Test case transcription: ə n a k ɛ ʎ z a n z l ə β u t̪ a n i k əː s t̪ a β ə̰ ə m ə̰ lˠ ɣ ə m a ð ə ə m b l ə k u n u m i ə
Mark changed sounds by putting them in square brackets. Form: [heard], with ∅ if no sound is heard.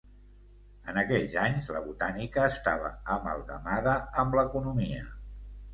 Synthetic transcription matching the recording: ə n [ə] k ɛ ʎ z a [ɲ] z l ə β u t̪ a n i k əː s t̪ a β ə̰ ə m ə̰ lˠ ɣ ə m a ð ə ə m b l ə k u n u m i ə